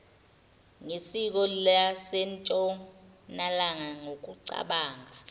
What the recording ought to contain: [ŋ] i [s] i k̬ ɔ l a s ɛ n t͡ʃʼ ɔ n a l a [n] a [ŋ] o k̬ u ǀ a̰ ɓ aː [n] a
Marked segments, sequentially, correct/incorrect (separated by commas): correct, correct, incorrect, correct, incorrect